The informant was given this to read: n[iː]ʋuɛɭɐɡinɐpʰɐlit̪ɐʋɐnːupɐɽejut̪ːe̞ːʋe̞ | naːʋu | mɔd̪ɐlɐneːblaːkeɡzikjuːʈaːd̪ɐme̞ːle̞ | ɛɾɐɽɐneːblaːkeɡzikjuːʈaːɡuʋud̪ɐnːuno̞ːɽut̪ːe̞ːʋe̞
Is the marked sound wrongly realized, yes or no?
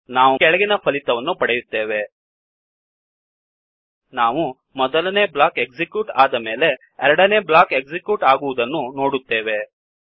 yes